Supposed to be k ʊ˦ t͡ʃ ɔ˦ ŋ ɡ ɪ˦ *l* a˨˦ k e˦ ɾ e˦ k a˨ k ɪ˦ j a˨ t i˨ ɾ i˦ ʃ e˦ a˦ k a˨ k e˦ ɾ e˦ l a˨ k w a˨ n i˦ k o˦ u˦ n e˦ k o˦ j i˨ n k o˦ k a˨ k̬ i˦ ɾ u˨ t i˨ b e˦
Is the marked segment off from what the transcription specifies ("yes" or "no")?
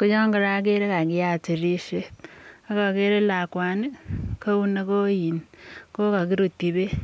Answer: yes